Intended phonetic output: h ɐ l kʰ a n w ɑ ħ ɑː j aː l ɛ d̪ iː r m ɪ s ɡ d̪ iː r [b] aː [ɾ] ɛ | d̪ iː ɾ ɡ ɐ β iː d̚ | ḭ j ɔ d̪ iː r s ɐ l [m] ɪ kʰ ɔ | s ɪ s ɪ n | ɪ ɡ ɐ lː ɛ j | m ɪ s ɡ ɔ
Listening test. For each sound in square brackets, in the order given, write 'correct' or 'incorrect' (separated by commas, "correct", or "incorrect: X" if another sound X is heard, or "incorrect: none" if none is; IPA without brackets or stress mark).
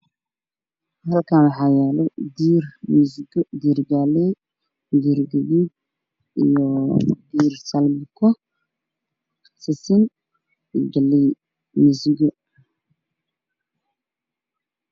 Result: incorrect: ɡ, incorrect: l, correct